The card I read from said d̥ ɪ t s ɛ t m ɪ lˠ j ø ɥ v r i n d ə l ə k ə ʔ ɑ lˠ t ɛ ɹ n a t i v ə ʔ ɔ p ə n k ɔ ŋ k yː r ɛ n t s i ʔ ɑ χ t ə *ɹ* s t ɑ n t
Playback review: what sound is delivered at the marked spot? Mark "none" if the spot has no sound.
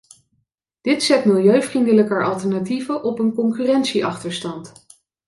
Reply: ɹ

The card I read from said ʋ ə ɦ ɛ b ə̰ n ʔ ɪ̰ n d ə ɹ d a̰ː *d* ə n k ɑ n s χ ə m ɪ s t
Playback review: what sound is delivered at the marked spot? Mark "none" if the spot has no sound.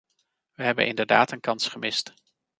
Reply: t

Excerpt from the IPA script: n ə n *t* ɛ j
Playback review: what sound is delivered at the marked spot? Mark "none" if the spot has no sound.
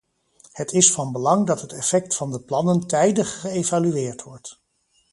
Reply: t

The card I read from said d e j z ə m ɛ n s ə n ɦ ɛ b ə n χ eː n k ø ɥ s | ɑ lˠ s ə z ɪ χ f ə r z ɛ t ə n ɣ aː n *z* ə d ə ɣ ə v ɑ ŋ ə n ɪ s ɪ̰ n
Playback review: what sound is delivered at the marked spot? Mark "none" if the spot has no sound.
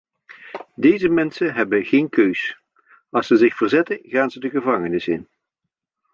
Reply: z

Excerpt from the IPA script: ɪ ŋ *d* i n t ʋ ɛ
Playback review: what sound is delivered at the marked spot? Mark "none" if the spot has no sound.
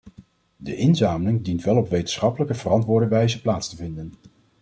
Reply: d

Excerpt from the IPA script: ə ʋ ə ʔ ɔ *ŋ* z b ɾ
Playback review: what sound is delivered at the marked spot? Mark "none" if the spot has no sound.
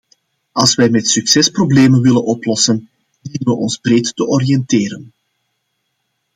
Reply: n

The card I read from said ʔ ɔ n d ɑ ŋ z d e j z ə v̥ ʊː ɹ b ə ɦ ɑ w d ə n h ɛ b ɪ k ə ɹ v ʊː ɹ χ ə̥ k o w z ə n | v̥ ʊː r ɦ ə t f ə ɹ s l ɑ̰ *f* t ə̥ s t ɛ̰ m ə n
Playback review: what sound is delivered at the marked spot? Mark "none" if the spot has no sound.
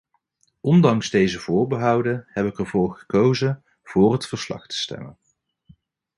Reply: χ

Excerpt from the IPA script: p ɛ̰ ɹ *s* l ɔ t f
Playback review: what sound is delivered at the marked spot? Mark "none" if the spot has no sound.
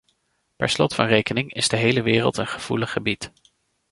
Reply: s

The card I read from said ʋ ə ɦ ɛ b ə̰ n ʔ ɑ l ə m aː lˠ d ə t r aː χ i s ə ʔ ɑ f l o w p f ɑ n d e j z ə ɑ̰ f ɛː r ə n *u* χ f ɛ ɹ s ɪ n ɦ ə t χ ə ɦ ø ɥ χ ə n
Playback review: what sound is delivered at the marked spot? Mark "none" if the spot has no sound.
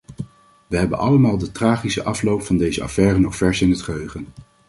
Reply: ɔ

